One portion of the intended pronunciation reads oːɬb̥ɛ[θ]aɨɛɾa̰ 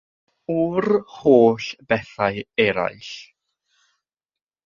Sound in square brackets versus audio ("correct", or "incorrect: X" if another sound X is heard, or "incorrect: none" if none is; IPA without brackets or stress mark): correct